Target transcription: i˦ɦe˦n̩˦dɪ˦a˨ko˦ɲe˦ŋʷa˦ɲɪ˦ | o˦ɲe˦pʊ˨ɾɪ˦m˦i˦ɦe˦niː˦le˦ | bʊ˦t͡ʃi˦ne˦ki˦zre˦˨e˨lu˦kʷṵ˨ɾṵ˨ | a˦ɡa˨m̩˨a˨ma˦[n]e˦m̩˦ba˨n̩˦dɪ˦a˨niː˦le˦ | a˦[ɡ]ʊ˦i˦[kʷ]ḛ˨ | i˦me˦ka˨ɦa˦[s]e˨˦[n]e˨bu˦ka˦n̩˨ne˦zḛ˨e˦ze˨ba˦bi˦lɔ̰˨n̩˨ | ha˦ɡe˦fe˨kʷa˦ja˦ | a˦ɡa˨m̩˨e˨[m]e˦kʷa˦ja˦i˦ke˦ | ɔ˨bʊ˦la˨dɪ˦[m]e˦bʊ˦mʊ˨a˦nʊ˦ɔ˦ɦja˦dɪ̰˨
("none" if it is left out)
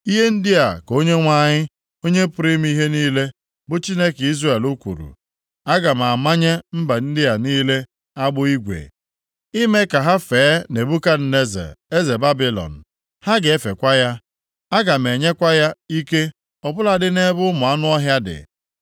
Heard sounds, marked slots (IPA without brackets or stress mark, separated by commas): ɲ, ɡ͡b, ɡʷ, f, n, ɲ, n